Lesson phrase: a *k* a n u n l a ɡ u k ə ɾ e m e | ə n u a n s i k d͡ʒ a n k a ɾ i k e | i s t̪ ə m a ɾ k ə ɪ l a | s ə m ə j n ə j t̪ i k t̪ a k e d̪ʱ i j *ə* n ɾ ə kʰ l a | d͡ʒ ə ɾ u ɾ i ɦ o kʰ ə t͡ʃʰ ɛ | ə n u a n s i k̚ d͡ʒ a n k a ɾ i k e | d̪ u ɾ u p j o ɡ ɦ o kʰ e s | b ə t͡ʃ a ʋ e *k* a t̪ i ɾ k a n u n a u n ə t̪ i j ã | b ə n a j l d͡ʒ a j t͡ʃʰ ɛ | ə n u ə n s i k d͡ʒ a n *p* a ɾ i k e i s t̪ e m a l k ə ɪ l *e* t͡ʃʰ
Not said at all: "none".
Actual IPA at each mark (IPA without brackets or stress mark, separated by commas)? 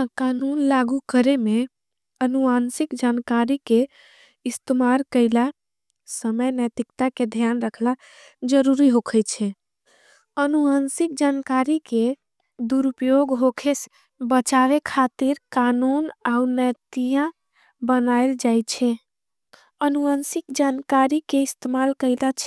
k, a, kʰ, k, a